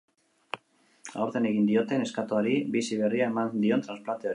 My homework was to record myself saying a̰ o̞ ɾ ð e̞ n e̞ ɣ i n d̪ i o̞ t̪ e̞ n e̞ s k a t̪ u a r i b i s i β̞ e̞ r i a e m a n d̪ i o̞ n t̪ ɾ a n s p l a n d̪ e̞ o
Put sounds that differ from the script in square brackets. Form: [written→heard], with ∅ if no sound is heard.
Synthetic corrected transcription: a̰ o̞ ɾ ð e̞ n e̞ ɣ i n d̪ i o̞ t̪ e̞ n e̞ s k a t̪ [u→o] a [r→ɾ] i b i s i β̞ e̞ r i a e m a n d̪ i o̞ n t̪ ɾ a n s p l a n [d̪→t̪] e̞ o